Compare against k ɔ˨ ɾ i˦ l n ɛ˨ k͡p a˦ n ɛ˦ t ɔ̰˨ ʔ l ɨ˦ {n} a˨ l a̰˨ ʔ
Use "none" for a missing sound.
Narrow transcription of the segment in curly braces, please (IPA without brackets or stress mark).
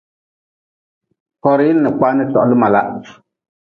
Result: m